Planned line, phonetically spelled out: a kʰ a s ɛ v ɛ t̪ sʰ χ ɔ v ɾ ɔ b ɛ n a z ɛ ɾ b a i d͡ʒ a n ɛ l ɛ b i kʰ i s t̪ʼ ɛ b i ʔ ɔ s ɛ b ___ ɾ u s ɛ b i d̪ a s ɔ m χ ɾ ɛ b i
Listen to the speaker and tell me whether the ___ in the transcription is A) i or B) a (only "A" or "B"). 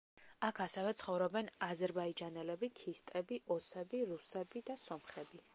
A